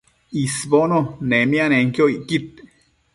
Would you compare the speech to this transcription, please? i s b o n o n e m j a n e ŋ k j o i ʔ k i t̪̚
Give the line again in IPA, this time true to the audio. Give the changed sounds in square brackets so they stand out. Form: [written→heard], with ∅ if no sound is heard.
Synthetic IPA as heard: i s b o n o n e m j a n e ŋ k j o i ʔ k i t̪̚